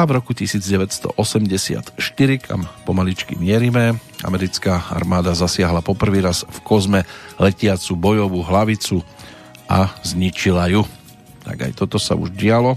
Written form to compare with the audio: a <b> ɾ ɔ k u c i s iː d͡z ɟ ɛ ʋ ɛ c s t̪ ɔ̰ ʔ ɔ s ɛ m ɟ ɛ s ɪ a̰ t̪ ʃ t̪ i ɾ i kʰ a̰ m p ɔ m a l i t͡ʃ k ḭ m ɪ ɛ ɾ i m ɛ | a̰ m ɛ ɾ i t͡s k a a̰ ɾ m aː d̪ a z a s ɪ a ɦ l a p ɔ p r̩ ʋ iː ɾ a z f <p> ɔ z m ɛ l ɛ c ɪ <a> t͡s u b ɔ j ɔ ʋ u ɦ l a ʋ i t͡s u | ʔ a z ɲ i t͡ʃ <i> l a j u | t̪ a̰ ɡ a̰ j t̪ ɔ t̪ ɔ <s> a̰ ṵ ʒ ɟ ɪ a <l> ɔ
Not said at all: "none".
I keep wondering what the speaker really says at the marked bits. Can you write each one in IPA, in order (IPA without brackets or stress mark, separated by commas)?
v, k, a, i, s, l